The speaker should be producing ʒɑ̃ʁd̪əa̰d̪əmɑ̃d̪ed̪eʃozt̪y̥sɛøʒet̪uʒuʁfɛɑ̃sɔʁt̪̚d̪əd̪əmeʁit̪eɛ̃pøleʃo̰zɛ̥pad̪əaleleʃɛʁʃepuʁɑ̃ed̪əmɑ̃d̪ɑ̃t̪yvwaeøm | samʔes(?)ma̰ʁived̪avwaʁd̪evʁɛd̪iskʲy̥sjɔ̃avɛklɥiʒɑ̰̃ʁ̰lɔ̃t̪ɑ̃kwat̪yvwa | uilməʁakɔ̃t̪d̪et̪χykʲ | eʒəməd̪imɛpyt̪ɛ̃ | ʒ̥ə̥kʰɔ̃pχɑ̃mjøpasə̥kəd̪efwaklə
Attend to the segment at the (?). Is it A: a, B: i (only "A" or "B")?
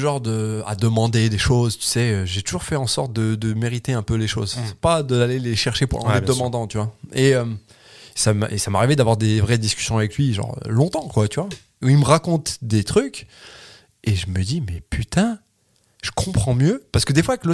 A